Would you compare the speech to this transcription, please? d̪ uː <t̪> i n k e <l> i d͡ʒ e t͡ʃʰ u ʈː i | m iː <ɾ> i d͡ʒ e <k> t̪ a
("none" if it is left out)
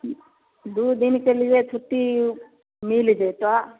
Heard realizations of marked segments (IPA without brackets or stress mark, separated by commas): d̪, l, l, none